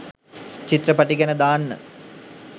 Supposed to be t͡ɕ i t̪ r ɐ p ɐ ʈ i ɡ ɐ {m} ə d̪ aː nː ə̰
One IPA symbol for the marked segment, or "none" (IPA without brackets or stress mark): n